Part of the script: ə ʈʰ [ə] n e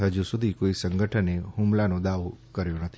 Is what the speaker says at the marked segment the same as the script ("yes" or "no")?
yes